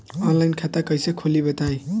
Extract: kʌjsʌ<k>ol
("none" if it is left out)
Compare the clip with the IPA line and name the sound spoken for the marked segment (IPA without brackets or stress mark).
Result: kʰ